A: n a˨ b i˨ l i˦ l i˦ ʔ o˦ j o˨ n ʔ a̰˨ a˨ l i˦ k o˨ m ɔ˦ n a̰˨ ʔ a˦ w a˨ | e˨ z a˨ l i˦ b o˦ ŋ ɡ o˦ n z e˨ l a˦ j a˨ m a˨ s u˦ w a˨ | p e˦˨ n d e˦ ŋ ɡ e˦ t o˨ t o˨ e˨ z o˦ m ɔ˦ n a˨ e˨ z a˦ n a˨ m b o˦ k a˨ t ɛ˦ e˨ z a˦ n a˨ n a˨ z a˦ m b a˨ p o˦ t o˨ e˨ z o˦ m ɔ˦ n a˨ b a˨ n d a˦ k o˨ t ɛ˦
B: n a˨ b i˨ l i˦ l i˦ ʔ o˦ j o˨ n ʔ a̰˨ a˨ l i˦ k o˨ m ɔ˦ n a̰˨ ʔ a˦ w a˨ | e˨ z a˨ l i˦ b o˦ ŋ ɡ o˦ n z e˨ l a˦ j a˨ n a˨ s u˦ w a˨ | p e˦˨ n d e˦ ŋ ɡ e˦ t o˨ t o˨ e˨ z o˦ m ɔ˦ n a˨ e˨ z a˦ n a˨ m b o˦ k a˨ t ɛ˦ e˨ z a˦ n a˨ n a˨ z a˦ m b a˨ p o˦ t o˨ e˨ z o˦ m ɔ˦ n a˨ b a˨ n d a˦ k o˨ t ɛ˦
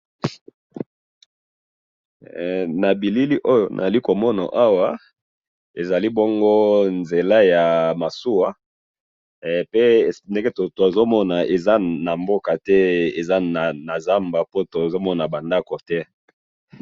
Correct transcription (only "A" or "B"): A